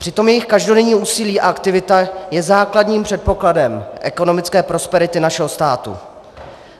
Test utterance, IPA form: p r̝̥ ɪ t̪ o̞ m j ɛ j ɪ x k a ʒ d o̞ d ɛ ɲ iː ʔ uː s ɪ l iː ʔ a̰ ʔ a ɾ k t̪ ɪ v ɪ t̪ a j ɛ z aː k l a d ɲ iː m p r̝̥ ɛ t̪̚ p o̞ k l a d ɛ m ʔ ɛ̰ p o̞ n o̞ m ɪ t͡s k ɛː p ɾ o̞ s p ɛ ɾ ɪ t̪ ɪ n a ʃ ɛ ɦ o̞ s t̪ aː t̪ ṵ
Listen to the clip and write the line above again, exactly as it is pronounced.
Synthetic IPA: p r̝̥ ɪ t̪ o̞ m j ɛ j ɪ x k a ʒ d o̞ d ɛ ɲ iː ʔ uː s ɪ l iː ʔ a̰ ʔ a k t̪ ɪ v ɪ t̪ a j ɛ z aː k l a d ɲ iː m p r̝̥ ɛ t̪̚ p o̞ k l a d ɛ m ʔ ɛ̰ k o̞ n o̞ m ɪ t͡s k ɛː p ɾ o̞ s p ɛ ɾ ɪ t̪ ɪ n a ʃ ɛ ɦ o̞ s t̪ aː t̪ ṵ